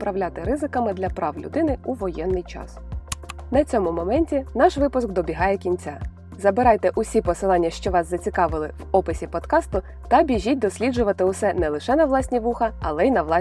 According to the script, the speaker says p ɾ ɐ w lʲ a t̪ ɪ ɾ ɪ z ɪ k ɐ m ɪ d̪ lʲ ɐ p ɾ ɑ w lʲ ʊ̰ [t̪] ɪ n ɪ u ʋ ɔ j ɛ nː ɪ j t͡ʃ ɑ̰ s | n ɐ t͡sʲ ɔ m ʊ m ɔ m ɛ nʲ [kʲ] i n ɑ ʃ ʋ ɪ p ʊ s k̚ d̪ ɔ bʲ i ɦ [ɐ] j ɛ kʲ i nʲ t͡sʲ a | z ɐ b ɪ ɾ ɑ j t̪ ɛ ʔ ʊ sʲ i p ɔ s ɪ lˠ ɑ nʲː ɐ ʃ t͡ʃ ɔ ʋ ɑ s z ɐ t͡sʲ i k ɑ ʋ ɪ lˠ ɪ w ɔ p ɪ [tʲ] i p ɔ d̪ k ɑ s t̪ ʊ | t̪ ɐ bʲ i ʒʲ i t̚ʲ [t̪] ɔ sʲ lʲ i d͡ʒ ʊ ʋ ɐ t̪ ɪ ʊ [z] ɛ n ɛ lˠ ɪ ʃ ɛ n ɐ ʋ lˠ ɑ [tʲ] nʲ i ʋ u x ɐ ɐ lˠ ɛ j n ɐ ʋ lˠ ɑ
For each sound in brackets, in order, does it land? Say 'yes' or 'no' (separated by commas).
no, no, no, no, no, no, no